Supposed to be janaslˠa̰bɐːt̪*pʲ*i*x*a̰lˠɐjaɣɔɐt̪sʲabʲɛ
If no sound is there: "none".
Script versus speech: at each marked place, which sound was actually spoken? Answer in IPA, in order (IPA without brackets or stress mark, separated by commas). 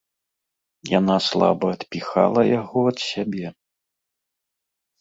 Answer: pʲ, x